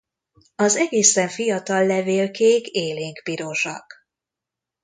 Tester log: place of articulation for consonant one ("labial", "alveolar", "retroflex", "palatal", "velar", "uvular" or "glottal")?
alveolar